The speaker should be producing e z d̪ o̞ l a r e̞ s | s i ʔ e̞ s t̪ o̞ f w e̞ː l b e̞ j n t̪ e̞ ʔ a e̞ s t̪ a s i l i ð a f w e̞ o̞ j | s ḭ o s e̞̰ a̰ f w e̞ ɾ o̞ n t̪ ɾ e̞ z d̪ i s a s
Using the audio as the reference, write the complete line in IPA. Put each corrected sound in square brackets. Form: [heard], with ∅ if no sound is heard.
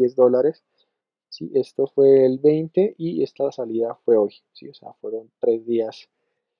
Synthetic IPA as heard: e z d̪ o̞ l a [ɾ] e̞ s | s i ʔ e̞ s t̪ o̞ f w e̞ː l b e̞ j n t̪ e̞ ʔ [i] e̞ s t̪ a s [a] l i ð a f w e̞ o̞ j | s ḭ o s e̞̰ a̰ f w e̞ ɾ o̞ n t̪ ɾ e̞ z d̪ i [∅] a s